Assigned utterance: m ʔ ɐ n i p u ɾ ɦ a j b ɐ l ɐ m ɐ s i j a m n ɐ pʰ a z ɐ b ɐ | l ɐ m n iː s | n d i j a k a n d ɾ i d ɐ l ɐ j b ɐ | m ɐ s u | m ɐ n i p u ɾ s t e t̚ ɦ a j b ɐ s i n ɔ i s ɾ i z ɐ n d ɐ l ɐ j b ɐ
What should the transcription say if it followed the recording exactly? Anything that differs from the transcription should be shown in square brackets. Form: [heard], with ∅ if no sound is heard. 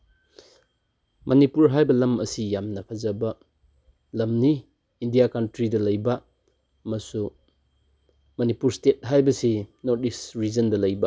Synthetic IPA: m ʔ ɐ n i p u ɾ ɦ a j b ɐ l ɐ m ɐ s i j a m n ɐ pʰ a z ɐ b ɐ | l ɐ m n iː [∅] | n d i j a k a n [t] ɾ i d ɐ l ɐ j b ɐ | m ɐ s u | m ɐ n i p u ɾ s t e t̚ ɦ a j b ɐ s i n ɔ i s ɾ i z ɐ n d ɐ l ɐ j b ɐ